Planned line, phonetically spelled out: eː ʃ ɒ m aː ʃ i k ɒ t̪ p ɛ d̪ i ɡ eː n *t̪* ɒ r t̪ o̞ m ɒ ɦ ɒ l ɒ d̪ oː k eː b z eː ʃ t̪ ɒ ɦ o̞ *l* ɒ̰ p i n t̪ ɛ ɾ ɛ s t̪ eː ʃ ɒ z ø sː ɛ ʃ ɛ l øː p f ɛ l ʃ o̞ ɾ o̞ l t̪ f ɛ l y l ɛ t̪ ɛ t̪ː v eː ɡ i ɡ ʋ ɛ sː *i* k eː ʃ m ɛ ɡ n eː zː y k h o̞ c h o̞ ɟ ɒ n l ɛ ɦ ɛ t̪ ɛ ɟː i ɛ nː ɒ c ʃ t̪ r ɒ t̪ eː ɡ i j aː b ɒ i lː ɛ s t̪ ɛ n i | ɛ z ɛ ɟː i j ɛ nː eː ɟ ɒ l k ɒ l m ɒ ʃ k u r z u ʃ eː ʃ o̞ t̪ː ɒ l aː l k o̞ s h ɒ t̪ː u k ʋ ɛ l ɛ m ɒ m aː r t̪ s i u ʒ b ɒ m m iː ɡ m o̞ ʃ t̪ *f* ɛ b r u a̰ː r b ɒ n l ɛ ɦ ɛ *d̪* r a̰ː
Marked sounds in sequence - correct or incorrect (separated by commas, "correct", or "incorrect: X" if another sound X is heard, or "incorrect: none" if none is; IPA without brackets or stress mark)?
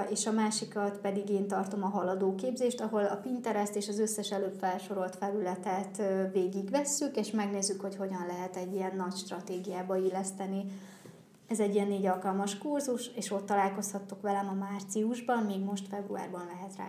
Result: correct, correct, incorrect: y, correct, incorrect: t̪